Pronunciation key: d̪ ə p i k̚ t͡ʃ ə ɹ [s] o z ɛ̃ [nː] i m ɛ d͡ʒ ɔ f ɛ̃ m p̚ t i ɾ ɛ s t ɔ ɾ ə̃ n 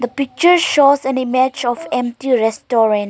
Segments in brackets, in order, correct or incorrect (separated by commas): incorrect, incorrect